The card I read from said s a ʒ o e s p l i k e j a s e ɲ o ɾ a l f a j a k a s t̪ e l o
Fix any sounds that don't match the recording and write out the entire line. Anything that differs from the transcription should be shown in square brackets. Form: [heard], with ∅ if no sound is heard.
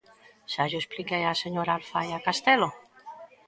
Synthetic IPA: s a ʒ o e s p l i k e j a s e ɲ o ɾ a l f a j a k a s t̪ e l o